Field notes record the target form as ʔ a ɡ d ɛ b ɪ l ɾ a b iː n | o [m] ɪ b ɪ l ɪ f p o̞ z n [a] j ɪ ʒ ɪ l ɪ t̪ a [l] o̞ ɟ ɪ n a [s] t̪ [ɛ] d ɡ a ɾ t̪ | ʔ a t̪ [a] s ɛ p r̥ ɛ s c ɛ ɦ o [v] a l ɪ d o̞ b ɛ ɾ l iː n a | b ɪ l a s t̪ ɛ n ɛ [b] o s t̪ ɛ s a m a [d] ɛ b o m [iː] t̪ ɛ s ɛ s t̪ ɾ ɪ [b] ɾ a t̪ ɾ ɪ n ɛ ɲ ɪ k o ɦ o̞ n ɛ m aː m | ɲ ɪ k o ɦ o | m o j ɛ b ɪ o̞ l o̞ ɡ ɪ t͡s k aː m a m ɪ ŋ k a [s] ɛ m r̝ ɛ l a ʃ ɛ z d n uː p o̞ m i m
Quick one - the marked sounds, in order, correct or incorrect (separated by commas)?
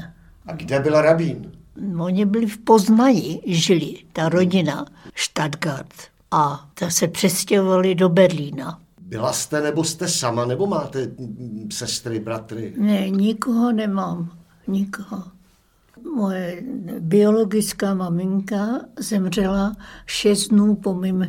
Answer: incorrect, correct, incorrect, incorrect, incorrect, correct, correct, correct, incorrect, incorrect, correct, incorrect